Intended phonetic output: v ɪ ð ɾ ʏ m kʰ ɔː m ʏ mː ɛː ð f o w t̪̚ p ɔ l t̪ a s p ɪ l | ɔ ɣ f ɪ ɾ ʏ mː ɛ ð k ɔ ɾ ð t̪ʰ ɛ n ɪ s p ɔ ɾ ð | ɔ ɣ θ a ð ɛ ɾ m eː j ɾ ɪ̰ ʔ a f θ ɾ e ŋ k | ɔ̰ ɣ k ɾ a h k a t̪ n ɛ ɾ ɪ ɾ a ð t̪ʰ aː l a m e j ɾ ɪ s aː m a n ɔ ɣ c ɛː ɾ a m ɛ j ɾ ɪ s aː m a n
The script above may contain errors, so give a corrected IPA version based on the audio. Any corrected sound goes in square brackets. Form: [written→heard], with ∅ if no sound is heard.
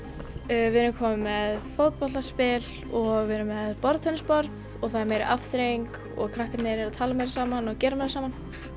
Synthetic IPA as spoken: v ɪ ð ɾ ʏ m kʰ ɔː m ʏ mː [ɛː→ɛ] ð f o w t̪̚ p ɔ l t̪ a s p ɪ l | ɔ ɣ [f→v] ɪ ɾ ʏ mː ɛ ð [k→p] ɔ ɾ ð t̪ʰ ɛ n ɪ s p ɔ ɾ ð | ɔ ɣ θ a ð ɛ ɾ m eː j ɾ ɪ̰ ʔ a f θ ɾ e ŋ k | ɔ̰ ɣ [k→kʰ] ɾ a h k a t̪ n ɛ ɾ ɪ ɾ a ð t̪ʰ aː l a m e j ɾ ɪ s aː m a n ɔ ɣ c ɛː ɾ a m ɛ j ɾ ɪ s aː m a n